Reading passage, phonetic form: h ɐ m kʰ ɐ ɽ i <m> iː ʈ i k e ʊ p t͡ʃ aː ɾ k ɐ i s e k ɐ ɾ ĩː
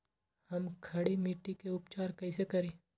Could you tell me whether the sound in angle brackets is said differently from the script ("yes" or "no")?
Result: no